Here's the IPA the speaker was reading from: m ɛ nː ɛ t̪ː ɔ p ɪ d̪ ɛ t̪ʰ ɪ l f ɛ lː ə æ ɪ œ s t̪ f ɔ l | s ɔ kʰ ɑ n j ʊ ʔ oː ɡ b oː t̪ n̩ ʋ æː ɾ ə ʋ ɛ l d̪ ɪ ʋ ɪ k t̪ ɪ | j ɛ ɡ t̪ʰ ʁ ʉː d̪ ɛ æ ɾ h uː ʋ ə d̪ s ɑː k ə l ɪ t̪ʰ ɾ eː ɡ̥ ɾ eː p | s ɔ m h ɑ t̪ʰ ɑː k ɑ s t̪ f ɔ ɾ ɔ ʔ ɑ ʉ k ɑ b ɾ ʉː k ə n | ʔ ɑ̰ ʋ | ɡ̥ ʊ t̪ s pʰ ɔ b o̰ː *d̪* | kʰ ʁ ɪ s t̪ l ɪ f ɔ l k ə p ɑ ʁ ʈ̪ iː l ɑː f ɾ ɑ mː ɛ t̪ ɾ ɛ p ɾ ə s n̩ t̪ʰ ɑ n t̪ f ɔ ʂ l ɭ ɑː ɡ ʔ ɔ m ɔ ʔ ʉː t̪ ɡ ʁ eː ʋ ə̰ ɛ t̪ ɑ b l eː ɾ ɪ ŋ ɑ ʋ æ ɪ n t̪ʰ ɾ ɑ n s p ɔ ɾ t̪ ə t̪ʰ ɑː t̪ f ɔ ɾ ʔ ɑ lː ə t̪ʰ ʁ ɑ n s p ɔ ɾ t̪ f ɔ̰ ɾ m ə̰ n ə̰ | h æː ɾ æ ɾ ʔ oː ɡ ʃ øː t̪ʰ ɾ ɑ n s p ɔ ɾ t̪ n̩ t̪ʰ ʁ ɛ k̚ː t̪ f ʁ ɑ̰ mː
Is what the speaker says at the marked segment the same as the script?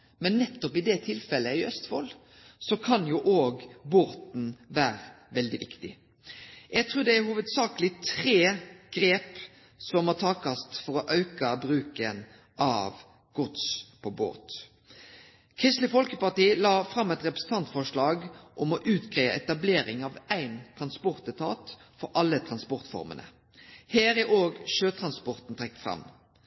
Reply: no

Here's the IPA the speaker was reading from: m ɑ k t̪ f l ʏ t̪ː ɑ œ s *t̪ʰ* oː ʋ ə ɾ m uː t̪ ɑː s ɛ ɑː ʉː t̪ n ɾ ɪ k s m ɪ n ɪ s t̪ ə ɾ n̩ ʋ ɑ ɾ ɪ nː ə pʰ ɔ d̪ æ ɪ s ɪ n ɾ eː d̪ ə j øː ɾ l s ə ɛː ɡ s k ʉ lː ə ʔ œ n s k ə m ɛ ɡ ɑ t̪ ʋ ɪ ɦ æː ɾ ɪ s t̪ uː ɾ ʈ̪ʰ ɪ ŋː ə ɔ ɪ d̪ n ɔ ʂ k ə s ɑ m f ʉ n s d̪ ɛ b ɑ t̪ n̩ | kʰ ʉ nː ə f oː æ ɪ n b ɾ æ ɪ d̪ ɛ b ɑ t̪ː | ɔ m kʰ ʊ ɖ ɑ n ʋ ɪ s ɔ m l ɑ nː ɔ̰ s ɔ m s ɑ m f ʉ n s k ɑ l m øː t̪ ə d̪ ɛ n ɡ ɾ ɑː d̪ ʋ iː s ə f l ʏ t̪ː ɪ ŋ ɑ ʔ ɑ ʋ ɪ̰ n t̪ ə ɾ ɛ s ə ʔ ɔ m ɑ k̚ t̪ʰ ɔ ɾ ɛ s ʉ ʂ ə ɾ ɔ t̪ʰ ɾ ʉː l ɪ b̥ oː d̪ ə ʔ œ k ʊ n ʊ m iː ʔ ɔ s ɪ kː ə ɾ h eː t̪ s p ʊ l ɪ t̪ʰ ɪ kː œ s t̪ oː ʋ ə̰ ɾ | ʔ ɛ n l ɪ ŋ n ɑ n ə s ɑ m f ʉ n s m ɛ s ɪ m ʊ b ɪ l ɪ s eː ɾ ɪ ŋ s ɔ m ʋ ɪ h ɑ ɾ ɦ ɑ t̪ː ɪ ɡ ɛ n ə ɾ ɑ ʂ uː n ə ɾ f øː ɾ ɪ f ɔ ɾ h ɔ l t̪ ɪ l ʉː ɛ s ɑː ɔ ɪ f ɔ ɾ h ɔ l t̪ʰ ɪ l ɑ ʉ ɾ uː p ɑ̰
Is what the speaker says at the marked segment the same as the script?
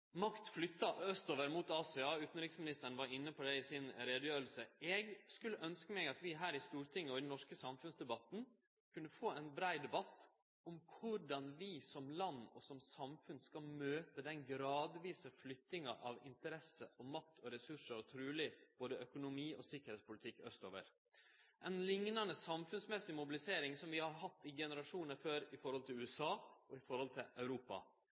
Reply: no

